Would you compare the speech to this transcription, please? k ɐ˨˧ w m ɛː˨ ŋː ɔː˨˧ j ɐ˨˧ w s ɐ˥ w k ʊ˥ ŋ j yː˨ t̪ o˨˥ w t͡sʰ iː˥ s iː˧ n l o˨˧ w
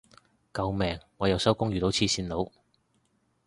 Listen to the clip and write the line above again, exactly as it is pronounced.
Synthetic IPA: k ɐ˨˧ w m ɛː˨ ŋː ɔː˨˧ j ɐ˨˧ w s ɐ˥ w k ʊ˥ ŋ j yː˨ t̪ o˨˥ w t͡sʰ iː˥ s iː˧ n l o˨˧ w